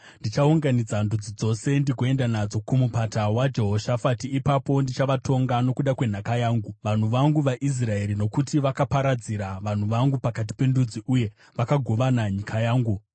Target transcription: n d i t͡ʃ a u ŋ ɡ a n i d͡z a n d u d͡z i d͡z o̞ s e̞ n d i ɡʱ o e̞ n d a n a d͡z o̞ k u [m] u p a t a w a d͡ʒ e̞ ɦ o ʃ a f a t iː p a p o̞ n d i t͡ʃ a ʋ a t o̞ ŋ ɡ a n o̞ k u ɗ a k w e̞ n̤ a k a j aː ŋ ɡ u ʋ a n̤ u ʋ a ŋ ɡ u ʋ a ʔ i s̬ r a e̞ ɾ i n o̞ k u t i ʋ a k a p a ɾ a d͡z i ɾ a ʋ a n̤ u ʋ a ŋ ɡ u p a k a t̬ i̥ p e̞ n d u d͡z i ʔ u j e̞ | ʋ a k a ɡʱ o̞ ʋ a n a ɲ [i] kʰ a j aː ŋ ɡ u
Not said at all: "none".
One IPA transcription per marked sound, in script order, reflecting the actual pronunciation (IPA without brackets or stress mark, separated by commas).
m, i